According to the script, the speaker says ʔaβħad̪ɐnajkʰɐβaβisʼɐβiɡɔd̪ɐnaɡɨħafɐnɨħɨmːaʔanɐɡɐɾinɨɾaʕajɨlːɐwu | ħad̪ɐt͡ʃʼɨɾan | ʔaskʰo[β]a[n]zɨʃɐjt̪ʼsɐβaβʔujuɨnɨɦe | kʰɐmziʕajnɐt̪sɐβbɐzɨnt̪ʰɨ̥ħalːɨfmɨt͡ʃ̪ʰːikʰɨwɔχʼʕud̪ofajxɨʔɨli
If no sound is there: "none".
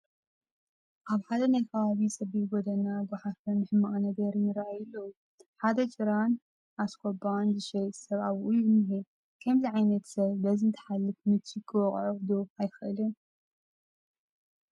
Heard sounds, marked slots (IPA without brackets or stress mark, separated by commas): b, n